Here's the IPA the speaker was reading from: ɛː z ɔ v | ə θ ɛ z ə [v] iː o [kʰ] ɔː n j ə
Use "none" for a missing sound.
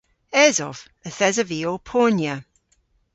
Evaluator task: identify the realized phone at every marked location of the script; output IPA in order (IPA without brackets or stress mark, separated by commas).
v, pʰ